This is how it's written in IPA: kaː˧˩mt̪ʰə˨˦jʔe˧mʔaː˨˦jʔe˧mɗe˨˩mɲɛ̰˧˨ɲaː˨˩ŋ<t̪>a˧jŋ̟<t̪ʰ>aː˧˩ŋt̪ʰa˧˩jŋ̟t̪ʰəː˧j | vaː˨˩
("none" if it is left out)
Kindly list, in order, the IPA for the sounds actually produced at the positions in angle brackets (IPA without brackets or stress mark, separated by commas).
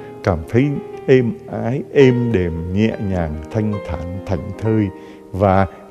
t̪ʰ, t̪ʰ